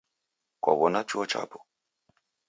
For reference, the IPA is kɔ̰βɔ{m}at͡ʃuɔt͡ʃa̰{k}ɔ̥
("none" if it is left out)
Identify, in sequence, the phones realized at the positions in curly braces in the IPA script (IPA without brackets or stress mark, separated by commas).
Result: n, p